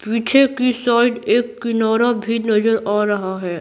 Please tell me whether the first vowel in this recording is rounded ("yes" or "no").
no